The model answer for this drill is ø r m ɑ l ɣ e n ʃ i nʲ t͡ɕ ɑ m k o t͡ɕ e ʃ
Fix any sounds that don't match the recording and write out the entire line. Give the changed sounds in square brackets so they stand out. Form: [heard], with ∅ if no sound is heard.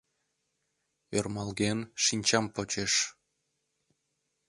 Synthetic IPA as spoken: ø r m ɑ l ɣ e n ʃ i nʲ t͡ɕ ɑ m [p] o t͡ɕ e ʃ